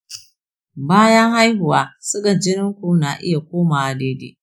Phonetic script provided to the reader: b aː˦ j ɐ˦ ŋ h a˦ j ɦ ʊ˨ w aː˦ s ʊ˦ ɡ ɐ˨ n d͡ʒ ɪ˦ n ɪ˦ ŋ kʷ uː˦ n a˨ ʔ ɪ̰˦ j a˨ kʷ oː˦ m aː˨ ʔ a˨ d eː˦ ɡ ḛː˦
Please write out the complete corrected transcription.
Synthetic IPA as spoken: b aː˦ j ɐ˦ ŋ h a˦ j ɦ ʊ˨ w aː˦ s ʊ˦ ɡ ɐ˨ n d͡ʒ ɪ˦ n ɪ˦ ŋ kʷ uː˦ n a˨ ʔ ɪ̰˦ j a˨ kʷ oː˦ m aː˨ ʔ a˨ d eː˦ d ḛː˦